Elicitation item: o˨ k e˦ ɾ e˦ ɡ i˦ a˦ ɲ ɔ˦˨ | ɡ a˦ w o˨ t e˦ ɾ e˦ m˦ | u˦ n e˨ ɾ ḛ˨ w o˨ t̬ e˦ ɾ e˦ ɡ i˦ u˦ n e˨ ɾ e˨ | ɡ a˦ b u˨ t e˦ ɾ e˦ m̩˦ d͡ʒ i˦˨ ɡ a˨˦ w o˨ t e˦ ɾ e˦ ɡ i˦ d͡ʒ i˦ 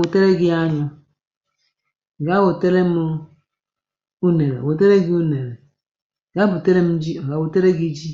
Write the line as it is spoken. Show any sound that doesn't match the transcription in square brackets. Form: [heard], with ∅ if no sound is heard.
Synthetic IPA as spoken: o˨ [t] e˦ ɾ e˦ ɡ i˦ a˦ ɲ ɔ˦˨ | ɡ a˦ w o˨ t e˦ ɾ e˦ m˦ | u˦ n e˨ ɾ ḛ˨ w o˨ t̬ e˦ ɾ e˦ ɡ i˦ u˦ n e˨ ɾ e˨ | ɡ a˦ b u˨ t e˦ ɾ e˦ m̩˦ d͡ʒ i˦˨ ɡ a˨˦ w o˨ t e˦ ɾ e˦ ɡ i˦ d͡ʒ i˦